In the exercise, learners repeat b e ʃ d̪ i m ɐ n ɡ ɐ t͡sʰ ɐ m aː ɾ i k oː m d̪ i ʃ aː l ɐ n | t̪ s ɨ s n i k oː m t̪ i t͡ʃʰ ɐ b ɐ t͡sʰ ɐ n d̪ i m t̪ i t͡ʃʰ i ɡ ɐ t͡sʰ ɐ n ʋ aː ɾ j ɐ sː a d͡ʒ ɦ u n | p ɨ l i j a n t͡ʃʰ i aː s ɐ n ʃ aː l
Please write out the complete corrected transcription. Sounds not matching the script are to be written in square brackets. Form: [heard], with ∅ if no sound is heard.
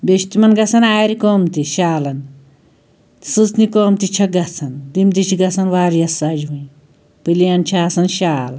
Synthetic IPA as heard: b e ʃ [t̪] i m ɐ n ɡ ɐ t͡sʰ ɐ [n] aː ɾ i k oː m [t̪] i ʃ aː l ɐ n | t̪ s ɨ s n i k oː m t̪ i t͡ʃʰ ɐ [ɡ] ɐ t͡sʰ ɐ n d̪ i m t̪ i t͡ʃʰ i ɡ ɐ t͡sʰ ɐ n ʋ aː ɾ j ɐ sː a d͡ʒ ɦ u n | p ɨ l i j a n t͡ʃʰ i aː s ɐ n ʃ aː l